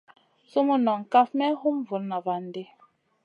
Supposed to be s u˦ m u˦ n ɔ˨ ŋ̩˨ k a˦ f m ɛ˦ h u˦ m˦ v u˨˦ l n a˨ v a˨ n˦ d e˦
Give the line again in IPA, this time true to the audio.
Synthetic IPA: s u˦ m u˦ n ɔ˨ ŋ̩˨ k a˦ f m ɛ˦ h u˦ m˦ v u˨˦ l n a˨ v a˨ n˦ d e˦